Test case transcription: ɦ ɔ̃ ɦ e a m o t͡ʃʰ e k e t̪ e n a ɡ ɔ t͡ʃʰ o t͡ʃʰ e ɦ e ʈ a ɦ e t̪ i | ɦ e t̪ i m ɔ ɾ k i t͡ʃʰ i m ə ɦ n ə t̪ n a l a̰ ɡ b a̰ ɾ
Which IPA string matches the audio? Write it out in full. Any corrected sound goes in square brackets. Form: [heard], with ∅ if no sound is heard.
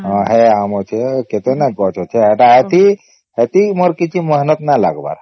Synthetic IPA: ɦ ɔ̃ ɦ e a m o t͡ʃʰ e k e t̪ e n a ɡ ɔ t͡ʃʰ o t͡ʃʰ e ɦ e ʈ a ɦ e t̪ i | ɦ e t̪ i m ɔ ɾ k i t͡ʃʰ i m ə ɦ n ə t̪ n a l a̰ ɡ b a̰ ɾ